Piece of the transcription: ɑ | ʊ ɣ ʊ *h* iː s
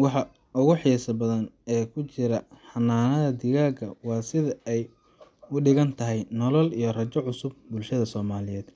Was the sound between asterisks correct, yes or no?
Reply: no